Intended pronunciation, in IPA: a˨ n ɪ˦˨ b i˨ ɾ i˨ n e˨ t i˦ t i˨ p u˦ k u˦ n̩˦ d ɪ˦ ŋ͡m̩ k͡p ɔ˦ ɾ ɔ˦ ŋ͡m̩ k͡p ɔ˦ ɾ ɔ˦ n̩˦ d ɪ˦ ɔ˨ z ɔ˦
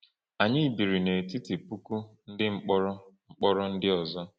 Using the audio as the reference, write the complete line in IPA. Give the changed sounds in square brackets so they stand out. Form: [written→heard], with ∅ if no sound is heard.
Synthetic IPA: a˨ [n→ɲ] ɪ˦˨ b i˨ ɾ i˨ n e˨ t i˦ t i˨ p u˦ k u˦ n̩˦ d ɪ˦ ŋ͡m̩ k͡p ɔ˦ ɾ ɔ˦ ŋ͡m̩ k͡p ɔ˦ ɾ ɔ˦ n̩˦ d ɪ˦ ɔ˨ z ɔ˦